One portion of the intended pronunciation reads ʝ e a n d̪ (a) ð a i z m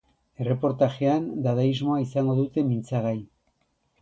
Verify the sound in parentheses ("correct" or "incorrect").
correct